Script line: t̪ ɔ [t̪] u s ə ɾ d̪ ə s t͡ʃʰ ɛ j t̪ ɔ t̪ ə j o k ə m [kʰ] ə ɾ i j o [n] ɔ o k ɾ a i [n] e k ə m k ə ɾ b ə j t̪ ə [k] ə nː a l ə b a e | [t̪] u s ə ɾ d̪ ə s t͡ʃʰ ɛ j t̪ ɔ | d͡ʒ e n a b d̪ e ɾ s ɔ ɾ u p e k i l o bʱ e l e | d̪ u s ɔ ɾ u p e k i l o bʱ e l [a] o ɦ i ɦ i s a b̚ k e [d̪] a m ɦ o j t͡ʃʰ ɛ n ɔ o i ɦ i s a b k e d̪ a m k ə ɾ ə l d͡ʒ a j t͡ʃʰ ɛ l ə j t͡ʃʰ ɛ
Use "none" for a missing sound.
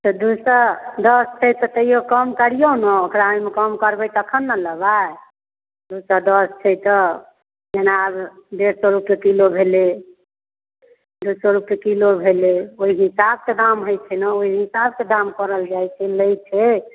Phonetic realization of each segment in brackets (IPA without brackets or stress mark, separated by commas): d̪, k, n, m, kʰ, d̪, e, d̪